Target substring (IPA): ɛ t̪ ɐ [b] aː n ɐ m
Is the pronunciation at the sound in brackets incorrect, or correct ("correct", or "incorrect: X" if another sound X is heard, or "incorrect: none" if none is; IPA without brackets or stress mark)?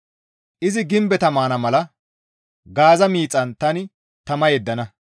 incorrect: m